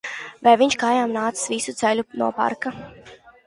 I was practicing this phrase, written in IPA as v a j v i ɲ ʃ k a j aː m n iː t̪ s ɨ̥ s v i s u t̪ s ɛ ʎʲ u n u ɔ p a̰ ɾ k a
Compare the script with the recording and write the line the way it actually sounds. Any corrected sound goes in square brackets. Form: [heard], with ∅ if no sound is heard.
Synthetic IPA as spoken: v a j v i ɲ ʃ k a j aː m n [aː] t̪ s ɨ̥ s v i s u t̪ s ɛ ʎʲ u n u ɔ p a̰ ɾ k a

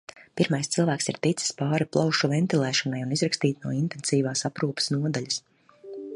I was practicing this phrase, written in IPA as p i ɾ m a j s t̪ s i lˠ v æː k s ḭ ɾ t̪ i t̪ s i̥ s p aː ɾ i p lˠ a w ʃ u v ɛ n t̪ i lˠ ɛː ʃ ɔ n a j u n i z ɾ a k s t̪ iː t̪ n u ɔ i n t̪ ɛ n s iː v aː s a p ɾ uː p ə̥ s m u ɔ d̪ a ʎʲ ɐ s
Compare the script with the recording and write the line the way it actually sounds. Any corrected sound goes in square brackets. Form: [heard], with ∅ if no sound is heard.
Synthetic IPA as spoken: p i ɾ m a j s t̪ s i lˠ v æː k s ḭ ɾ t̪ i t̪ s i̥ s p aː ɾ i p lˠ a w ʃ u v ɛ n t̪ i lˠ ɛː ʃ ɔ n a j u n i z ɾ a k s t̪ iː t̪ n u ɔ i n t̪ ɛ n s iː v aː s a p ɾ uː p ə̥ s [n] u ɔ d̪ a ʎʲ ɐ s

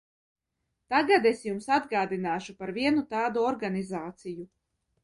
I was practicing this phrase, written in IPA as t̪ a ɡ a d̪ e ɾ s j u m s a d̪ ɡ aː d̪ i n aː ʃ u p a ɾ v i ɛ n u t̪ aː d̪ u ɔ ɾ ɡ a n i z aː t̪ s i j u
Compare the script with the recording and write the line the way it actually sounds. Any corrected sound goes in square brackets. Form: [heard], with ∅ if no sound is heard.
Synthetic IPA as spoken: t̪ a ɡ a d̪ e [∅] s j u m s a d̪ ɡ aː d̪ i n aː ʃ u p a ɾ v i ɛ n u t̪ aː d̪ u ɔ ɾ ɡ a n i z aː t̪ s i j u

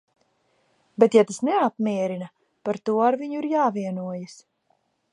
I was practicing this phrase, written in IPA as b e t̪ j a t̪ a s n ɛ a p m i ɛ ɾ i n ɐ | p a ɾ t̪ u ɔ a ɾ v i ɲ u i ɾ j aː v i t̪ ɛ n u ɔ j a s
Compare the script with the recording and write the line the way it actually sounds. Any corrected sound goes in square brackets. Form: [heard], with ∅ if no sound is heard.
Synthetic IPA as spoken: b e t̪ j a t̪ a s n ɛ a p m i ɛ ɾ i n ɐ | p a ɾ t̪ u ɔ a ɾ v i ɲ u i ɾ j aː v i [∅] ɛ n u ɔ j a s

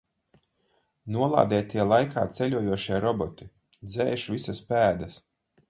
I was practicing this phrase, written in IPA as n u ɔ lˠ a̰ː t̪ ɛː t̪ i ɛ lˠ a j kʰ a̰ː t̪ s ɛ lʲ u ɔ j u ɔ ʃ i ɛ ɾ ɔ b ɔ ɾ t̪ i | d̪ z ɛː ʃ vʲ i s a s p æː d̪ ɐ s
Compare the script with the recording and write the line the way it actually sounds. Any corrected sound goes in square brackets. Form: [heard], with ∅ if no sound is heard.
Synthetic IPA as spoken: n u ɔ lˠ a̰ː [d̪] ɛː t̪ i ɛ lˠ a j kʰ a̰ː t̪ s ɛ lʲ u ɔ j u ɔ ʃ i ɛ ɾ ɔ b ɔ [∅] t̪ i | d̪ z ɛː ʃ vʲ i s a s p æː d̪ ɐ s

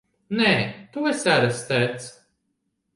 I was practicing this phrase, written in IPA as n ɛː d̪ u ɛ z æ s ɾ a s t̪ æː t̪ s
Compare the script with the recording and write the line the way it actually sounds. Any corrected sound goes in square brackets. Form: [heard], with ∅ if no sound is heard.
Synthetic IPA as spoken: n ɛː [t̪] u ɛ [s] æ [∅] ɾ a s t̪ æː t̪ s

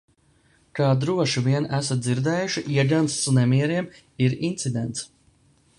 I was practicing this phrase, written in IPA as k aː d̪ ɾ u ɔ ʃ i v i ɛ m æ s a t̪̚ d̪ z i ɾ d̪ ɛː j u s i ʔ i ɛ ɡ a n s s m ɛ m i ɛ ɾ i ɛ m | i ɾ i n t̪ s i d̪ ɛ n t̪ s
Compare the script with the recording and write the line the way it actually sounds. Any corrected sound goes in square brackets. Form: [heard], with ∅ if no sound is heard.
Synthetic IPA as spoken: k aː d̪ ɾ u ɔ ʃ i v i ɛ [n] æ s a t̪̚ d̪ z i ɾ d̪ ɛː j u [ʃ] i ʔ i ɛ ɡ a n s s [n] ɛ m i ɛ ɾ i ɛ m | i ɾ i n t̪ s i d̪ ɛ n t̪ s

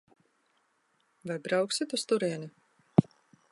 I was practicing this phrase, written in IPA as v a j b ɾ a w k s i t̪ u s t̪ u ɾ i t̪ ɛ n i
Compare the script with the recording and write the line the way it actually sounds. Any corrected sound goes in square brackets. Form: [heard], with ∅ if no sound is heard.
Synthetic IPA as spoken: v a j b ɾ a w k s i t̪ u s t̪ u ɾ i [∅] ɛ n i

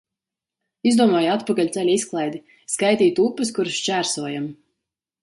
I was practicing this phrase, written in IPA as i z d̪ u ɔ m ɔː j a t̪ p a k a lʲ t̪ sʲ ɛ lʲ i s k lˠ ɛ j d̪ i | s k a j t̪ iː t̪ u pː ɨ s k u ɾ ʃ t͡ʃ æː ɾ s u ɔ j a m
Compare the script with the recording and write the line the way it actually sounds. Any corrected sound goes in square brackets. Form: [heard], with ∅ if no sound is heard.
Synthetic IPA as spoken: i z d̪ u ɔ m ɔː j a t̪ p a k a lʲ t̪ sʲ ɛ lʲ i s k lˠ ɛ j d̪ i | s k a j t̪ iː t̪ u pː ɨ s k u ɾ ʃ t͡ʃ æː ɾ s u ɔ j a m

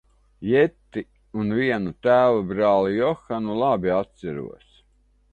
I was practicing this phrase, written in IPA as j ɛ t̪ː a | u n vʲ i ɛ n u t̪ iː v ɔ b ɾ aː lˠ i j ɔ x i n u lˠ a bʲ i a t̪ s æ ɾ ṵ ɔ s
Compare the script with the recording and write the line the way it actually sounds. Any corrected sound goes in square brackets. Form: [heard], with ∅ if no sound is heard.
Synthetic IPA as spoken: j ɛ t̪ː [i] | u n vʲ i ɛ n u t̪ [æː] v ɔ b ɾ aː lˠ i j ɔ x [a] n u lˠ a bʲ i a t̪ s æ ɾ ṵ ɔ s

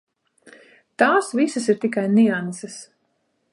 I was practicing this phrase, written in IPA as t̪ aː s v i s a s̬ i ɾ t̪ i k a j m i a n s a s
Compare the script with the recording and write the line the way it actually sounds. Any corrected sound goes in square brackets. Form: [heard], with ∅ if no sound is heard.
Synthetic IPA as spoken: t̪ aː s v i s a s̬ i ɾ t̪ i k a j [n] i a n s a s

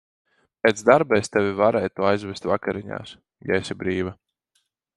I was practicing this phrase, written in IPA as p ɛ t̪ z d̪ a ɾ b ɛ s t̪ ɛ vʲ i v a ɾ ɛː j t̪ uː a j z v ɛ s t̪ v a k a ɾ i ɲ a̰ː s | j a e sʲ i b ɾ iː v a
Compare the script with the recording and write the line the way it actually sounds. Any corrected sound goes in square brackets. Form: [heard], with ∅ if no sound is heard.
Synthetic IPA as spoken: p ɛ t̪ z d̪ a ɾ b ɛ s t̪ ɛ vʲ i v a ɾ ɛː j t̪ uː a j z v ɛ s t̪ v a k a ɾ i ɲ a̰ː s | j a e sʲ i b ɾ iː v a

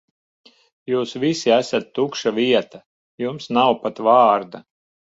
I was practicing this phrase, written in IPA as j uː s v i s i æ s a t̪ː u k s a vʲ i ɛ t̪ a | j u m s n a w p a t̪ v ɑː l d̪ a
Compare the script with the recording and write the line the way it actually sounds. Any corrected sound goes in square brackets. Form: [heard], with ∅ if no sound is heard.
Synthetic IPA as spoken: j uː s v i s i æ s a t̪ː u k [ʃ] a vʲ i ɛ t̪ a | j u m s n a w p a t̪ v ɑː [ɾ] d̪ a

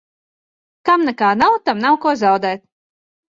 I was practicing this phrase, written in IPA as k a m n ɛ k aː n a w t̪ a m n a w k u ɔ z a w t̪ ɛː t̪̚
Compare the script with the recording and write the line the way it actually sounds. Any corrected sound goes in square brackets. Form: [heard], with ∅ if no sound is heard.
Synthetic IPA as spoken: k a m n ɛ k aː n a w t̪ a m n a w k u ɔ z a w [d̪] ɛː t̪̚

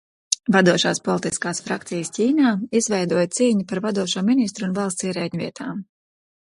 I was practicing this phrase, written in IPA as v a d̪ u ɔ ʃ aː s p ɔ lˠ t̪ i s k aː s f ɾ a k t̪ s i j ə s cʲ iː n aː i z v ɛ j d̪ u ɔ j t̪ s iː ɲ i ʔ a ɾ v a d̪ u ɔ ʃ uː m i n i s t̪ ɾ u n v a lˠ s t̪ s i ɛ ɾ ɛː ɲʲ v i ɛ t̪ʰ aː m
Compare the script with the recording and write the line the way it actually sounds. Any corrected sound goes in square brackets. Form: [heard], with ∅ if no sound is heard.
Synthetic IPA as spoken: v a d̪ u ɔ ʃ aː s p ɔ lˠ t̪ i s k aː s f ɾ a k t̪ s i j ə s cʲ iː n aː i z v ɛ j d̪ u ɔ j t̪ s iː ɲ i [p] a ɾ v a d̪ u ɔ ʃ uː m i n i s t̪ ɾ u n v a lˠ s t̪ s i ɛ ɾ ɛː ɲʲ v i ɛ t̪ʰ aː m

